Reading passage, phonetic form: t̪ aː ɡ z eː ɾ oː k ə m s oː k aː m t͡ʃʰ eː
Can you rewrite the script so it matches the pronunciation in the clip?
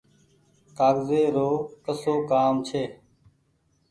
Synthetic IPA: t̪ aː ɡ z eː ɾ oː k ə s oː k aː m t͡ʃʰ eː